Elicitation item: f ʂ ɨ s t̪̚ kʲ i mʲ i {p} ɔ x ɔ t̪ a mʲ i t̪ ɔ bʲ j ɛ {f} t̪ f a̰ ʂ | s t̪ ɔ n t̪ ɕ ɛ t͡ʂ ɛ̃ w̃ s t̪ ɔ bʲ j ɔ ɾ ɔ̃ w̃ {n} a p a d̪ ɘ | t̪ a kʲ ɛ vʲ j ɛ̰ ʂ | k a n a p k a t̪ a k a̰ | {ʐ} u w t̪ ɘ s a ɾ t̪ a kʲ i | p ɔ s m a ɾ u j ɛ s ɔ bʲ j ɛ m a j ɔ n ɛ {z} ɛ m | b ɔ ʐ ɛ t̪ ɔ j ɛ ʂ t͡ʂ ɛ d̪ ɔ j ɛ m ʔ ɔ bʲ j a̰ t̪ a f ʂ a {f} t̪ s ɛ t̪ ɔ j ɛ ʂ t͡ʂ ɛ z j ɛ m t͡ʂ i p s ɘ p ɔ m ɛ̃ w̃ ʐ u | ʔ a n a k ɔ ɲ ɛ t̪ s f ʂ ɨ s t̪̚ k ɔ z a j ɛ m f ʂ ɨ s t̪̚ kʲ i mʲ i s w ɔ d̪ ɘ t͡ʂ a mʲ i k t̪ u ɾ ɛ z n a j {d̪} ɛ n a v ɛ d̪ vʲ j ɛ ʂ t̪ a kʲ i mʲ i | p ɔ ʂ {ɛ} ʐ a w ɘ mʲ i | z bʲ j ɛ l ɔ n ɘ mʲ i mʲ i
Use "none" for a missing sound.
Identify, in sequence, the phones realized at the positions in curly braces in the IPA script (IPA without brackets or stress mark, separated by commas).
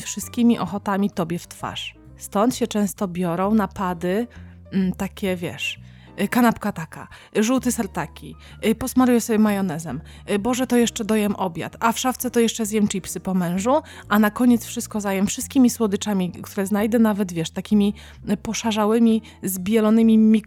ʔ, f, n, ʐ, z, f, d̪, a